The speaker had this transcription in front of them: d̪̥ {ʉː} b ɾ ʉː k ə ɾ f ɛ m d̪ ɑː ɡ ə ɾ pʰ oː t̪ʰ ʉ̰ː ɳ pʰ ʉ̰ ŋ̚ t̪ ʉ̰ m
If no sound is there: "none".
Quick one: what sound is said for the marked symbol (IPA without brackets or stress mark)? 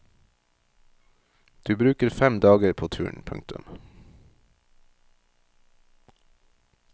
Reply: ʉː